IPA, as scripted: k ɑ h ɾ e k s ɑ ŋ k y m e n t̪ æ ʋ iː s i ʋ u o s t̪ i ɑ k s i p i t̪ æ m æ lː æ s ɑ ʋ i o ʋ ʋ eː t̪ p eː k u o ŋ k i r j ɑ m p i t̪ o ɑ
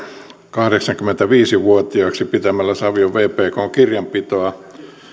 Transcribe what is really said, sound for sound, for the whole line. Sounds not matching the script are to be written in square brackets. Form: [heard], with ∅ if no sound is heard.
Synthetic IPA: k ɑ h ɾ e k s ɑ ŋ k y m e n t̪ æ ʋ iː s i ʋ u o [∅] t̪ i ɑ k s i p i t̪ æ m æ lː æ s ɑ ʋ i o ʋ ʋ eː [∅] p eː k [o] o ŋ k i r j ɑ m p i t̪ o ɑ